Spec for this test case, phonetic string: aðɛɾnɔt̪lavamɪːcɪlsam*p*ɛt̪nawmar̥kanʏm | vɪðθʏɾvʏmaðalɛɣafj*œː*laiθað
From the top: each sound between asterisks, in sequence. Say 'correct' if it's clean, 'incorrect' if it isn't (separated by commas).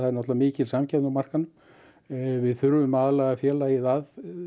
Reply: incorrect, incorrect